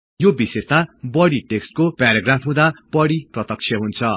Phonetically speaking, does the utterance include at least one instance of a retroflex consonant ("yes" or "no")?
yes